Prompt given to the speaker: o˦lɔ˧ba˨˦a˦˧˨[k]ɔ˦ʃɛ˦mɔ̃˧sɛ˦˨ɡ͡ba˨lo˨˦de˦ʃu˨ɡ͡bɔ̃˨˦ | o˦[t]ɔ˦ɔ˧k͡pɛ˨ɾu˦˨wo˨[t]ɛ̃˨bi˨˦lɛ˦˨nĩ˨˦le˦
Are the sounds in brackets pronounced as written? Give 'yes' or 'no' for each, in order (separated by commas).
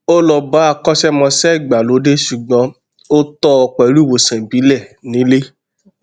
yes, yes, no